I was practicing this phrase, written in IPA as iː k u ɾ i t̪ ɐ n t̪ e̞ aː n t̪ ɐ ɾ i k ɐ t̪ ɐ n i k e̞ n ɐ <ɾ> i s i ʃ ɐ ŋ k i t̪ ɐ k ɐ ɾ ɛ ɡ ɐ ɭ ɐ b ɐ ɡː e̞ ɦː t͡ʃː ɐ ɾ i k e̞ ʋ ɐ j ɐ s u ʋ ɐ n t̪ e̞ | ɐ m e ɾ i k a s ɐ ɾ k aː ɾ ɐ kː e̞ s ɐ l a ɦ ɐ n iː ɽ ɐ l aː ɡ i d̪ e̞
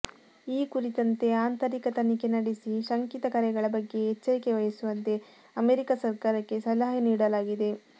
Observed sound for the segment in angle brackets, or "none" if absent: ɽ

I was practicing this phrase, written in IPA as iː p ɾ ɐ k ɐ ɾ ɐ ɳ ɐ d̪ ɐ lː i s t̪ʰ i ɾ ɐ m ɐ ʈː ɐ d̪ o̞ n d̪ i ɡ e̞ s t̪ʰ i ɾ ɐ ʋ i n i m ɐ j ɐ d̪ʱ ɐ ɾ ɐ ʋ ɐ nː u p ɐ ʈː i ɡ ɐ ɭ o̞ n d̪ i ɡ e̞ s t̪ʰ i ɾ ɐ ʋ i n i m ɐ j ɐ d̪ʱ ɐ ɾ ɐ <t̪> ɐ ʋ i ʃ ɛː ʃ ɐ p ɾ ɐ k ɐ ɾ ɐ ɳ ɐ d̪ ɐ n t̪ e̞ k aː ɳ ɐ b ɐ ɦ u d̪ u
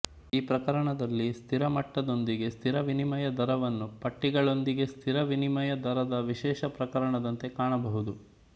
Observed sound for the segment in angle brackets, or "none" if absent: d̪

